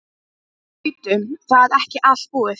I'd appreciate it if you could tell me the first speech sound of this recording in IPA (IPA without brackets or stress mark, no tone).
t̪